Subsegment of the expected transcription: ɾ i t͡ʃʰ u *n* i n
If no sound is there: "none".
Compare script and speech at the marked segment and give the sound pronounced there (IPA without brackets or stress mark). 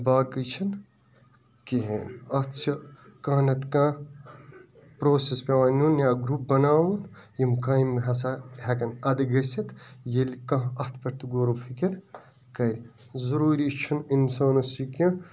n